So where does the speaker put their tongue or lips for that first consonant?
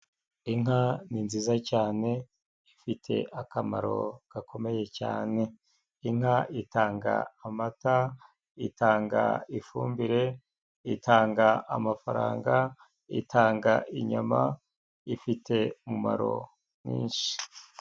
velum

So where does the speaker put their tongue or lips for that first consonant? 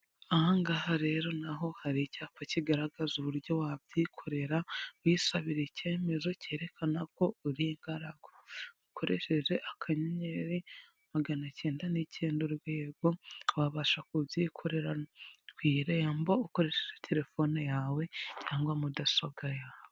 velum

